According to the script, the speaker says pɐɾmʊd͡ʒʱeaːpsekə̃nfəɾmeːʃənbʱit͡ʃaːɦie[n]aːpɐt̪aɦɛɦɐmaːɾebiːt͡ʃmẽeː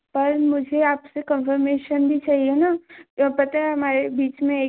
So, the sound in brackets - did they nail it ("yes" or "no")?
yes